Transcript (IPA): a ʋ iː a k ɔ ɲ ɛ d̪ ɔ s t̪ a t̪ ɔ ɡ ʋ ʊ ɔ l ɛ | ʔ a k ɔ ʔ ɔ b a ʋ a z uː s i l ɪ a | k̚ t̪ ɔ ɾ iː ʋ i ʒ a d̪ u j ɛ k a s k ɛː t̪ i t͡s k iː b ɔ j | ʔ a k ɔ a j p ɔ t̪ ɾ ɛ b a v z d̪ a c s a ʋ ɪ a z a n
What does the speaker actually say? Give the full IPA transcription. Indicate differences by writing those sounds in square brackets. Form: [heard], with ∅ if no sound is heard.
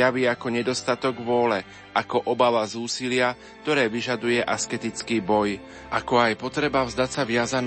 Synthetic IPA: a ʋ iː a k ɔ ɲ ɛ d̪ ɔ s t̪ a t̪ ɔ ɡ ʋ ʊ ɔ l ɛ | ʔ a k ɔ ʔ ɔ b a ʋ a z uː s i l ɪ a | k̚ t̪ ɔ ɾ [ɛː] ʋ i ʒ a d̪ u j ɛ [ʔ] a s k [ɛ] t̪ i t͡s k iː b ɔ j | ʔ a k ɔ a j p ɔ t̪ ɾ ɛ b a v z d̪ a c s a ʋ ɪ a z a n